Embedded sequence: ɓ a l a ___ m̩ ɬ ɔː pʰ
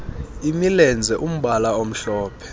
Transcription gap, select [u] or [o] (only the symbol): o